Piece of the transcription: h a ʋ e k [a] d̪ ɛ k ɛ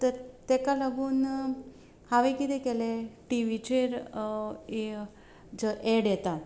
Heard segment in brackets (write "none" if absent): i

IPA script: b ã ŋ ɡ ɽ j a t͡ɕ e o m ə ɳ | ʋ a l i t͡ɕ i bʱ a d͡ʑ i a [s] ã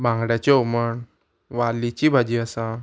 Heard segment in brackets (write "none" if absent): s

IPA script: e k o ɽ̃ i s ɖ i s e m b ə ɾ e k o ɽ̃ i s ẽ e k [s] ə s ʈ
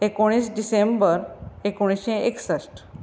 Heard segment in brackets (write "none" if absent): s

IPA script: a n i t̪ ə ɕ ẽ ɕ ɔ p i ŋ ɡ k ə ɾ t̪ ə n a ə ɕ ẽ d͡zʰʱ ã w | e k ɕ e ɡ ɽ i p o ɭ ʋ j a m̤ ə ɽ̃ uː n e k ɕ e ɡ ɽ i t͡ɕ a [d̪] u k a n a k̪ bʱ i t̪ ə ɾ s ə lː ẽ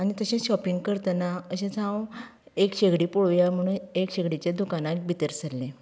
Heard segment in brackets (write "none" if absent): d̪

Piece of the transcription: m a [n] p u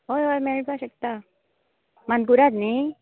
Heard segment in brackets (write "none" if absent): n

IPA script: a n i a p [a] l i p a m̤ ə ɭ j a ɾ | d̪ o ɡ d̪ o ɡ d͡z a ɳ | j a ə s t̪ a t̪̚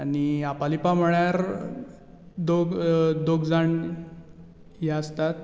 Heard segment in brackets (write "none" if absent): a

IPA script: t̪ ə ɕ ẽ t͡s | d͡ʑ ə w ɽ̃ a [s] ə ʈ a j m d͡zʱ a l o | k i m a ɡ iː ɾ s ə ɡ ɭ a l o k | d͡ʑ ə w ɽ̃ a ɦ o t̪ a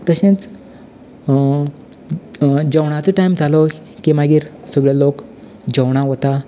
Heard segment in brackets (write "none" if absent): t͡s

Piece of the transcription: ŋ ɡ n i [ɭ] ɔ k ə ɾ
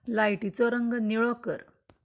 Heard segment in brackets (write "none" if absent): ɭ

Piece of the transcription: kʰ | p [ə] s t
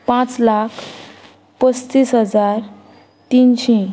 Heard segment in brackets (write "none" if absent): ə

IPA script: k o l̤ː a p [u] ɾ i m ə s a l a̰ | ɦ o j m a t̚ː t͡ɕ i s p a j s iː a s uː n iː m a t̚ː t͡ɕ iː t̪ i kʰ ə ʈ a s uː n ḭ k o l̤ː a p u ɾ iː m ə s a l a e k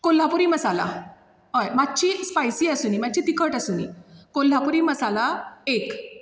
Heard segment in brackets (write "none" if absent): u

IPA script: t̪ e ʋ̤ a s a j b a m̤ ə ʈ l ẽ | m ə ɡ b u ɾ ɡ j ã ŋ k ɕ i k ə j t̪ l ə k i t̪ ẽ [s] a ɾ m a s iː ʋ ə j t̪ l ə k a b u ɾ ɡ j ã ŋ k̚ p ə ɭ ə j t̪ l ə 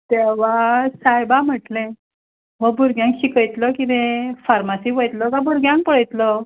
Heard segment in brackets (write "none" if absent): f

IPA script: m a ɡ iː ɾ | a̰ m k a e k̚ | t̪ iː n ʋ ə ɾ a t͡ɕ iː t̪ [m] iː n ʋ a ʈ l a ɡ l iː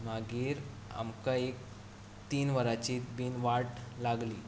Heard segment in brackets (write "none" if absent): b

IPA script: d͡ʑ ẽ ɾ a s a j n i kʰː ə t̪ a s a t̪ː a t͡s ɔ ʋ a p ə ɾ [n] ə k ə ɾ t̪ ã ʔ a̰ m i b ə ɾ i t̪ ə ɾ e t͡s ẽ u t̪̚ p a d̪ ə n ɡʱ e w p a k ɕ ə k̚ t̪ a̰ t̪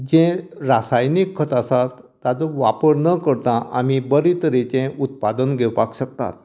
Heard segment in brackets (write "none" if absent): n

